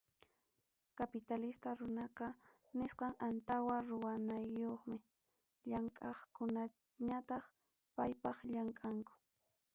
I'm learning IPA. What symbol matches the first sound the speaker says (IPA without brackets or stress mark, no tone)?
k